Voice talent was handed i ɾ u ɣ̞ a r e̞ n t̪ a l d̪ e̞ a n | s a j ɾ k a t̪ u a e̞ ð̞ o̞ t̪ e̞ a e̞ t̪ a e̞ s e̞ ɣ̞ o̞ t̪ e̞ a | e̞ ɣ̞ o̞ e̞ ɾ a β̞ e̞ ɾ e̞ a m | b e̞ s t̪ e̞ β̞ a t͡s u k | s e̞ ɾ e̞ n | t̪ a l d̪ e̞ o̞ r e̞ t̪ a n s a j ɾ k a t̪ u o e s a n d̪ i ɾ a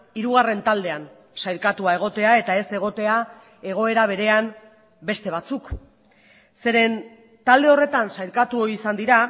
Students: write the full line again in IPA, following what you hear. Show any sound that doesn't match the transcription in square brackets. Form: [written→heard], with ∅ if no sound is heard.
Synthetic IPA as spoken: i ɾ u ɣ̞ a r e̞ n t̪ a l d̪ e̞ a n | s a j ɾ k a t̪ u a e̞ [ð̞→ɣ̞] o̞ t̪ e̞ a e̞ t̪ a e̞ s e̞ ɣ̞ o̞ t̪ e̞ a | e̞ ɣ̞ o̞ e̞ ɾ a β̞ e̞ ɾ e̞ a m | b e̞ s t̪ e̞ β̞ a t͡s u k | s e̞ ɾ e̞ n | t̪ a l d̪ e̞ o̞ r e̞ t̪ a n s a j ɾ k a t̪ u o [e→i] s a n d̪ i ɾ a